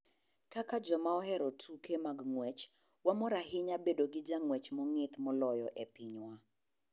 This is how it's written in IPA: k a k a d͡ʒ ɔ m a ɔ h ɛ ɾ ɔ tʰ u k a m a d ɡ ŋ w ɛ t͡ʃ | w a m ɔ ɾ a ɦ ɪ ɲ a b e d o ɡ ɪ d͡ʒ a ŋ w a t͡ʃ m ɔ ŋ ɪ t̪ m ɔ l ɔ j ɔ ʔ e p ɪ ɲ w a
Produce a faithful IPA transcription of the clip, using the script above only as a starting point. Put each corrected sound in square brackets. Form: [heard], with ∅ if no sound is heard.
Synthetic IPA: k a k a d͡ʒ ɔ m a ɔ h ɛ ɾ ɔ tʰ u k [e] m a [∅] ɡ ŋ w ɛ t͡ʃ | w a m ɔ ɾ a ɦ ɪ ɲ a b e d o ɡ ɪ d͡ʒ a ŋ w [ɛ] t͡ʃ m ɔ ŋ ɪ t̪ m ɔ l ɔ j ɔ ʔ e p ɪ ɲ w a